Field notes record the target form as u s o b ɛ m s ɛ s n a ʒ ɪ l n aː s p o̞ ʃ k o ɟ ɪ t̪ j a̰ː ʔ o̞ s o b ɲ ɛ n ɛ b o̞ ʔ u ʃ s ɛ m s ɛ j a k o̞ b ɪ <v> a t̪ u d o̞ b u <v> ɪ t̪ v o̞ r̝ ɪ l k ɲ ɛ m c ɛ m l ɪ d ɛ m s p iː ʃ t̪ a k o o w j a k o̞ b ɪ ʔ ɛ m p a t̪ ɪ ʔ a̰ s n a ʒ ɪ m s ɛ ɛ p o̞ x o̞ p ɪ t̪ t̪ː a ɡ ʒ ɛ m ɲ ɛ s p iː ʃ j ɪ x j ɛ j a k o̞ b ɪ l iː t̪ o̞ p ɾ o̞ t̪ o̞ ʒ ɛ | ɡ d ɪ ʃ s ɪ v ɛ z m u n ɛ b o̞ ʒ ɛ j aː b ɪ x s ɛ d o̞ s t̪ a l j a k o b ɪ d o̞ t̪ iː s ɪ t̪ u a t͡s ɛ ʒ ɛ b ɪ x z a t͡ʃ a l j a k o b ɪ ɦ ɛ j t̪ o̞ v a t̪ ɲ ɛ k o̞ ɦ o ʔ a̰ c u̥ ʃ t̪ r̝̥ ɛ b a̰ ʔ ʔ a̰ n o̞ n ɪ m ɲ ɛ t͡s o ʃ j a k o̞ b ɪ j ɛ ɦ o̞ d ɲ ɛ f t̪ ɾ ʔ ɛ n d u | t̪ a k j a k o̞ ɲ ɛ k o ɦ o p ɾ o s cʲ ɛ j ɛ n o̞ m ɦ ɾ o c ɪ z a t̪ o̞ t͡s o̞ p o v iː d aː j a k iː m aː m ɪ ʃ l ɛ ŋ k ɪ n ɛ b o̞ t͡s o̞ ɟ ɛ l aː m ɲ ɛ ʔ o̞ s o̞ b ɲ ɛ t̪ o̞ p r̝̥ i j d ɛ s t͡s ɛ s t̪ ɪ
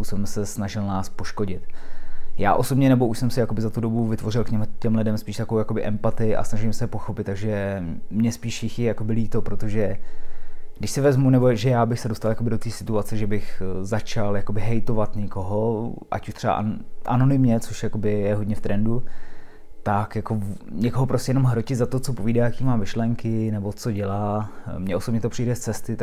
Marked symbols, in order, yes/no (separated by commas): no, yes